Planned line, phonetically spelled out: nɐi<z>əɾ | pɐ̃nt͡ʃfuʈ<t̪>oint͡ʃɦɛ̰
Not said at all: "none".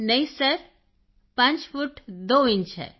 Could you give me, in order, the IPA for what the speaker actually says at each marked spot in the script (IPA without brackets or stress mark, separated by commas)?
s, d̪